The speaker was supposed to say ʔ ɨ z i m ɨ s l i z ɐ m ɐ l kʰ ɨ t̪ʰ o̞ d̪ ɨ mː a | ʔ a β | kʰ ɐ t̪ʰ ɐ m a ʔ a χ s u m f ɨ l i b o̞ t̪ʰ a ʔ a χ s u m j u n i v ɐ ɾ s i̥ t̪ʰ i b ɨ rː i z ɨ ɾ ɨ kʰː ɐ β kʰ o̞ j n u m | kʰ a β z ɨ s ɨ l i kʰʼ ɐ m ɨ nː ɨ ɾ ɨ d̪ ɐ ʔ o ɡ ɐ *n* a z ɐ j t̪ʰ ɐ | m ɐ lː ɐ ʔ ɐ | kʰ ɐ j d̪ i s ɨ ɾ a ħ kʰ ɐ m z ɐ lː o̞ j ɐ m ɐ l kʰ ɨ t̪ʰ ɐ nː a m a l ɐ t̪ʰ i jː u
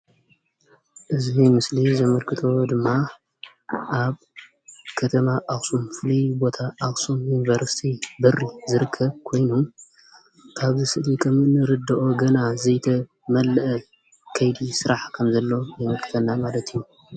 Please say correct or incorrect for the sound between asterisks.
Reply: correct